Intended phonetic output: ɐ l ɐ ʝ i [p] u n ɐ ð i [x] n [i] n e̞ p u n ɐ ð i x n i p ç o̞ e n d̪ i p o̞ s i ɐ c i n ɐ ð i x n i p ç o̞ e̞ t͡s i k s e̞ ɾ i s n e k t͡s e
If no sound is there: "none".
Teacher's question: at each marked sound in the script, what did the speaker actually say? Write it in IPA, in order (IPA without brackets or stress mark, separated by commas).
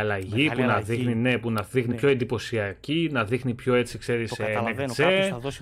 p, x, i